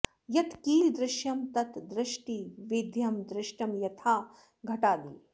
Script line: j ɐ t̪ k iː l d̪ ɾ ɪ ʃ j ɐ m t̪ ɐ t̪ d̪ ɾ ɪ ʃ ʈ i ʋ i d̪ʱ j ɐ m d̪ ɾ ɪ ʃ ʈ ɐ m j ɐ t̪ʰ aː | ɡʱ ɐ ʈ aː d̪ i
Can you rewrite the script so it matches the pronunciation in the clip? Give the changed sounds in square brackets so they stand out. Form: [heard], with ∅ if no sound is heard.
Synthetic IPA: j ɐ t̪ k iː l d̪ ɾ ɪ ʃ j ɐ m t̪ ɐ t̪ d̪ ɾ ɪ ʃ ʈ i ʋ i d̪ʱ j ɐ m d̪ ɾ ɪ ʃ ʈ ɐ m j ɐ t̪ʰ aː | ɡʱ ɐ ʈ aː d̪ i